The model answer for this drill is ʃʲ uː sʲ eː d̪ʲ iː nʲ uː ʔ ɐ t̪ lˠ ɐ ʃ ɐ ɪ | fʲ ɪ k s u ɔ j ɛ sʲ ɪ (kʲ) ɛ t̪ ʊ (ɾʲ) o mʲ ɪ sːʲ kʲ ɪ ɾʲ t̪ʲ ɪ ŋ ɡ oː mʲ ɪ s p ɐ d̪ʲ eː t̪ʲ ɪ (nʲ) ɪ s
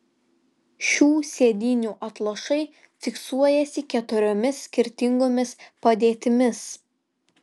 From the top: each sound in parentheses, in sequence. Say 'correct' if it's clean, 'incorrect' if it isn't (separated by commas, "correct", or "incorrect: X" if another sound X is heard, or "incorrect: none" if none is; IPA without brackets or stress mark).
correct, correct, incorrect: mʲ